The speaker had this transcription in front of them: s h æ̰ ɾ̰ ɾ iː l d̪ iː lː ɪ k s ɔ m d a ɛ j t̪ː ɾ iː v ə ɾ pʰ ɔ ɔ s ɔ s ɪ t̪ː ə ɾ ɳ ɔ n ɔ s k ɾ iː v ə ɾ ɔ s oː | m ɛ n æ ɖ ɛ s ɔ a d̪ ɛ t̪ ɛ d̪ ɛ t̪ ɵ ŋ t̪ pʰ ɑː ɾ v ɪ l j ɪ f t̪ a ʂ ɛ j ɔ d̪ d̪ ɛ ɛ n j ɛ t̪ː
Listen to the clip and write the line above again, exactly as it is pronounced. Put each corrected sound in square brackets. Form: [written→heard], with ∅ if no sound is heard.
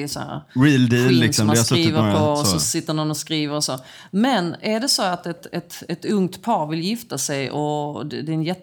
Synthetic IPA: s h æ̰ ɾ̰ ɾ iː l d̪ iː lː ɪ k s ɔ m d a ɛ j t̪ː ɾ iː v ə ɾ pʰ ɔ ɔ s ɔ s ɪ t̪ː ə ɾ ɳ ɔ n ɔ s k ɾ iː v ə ɾ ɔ s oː | m ɛ n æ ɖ ɛ s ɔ a [d̪→t̪] ɛ t̪ ɛ [d̪→t̪] ɛ t̪ ɵ ŋ t̪ pʰ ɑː ɾ v ɪ l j ɪ f t̪ a [ʂ→s] ɛ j ɔ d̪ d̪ ɛ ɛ n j ɛ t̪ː